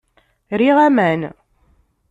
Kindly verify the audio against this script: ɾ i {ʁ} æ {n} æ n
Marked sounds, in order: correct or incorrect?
correct, incorrect: m

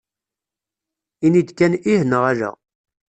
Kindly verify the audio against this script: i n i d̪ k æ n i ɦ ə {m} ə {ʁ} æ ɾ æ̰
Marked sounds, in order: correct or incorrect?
incorrect: n, correct

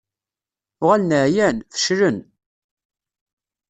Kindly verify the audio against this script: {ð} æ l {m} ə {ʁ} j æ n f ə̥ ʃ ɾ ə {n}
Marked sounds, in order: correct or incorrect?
incorrect: ʁ, incorrect: n, incorrect: ʕ, correct

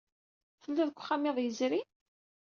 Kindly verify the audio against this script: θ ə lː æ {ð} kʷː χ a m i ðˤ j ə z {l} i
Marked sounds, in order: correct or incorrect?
correct, incorrect: ɾ

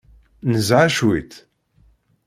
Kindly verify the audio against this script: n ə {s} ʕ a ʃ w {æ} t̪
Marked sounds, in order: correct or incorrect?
incorrect: z, incorrect: i

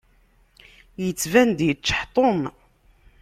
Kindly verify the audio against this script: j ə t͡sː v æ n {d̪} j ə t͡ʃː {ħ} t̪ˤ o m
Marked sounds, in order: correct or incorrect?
correct, correct

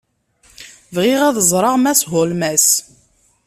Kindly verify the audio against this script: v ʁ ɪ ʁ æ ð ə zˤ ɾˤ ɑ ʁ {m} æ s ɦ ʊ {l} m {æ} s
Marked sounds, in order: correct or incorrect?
correct, correct, correct

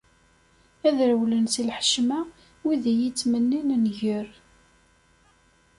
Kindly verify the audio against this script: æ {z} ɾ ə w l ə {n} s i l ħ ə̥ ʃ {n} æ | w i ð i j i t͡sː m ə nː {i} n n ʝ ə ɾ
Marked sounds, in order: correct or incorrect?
incorrect: ð, correct, incorrect: m, correct

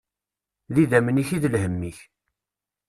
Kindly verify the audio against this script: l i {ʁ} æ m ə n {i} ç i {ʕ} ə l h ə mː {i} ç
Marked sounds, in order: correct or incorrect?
incorrect: ð, correct, incorrect: ð, correct

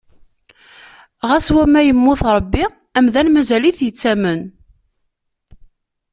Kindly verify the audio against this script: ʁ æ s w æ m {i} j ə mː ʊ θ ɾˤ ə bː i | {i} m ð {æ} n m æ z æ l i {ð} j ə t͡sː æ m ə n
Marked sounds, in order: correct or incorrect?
incorrect: æ, incorrect: æ, correct, incorrect: θ

